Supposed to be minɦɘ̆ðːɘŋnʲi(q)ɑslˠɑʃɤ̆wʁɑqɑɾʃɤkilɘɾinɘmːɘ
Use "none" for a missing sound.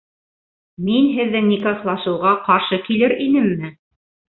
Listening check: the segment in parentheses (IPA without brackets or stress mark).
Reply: k